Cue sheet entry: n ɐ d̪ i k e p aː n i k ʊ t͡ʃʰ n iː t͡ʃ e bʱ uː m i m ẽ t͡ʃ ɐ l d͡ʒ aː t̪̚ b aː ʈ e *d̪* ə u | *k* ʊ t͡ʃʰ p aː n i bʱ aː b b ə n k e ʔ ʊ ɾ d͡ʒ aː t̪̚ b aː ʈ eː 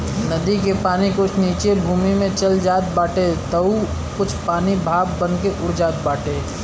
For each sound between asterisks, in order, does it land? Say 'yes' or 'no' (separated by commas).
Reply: no, yes